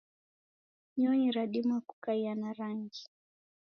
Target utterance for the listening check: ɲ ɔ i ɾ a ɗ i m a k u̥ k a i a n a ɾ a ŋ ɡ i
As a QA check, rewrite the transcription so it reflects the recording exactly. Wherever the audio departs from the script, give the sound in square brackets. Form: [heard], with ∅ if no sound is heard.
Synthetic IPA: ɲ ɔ i ɾ a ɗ i m a k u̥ k a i a n a ɾ a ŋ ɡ i